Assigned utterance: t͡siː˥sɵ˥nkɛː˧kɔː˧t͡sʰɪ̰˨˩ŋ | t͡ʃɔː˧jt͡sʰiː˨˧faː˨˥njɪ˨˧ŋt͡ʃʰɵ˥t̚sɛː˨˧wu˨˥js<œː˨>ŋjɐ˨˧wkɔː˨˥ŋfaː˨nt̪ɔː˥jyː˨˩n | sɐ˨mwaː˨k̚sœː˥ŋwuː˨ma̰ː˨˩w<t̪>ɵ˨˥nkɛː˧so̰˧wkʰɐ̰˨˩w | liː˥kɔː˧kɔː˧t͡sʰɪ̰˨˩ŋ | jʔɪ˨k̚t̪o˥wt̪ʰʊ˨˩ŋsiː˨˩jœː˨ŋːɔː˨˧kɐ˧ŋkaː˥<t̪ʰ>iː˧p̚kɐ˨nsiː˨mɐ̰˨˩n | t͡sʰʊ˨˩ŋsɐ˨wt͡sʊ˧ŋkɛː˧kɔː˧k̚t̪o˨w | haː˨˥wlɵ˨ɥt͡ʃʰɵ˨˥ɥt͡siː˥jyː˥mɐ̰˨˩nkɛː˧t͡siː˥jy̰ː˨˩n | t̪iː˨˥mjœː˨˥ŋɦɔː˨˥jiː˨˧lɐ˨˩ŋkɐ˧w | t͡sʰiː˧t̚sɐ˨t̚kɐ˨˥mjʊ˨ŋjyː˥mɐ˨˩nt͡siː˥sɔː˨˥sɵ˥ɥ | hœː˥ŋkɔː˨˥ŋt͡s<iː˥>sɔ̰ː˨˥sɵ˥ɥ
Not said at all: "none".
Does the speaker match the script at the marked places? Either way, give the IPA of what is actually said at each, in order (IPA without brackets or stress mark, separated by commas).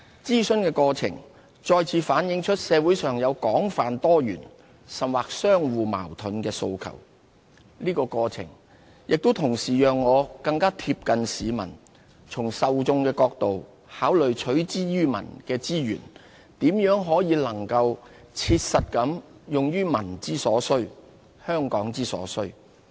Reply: œː˨, t̪ʰ, t̪ʰ, iː˥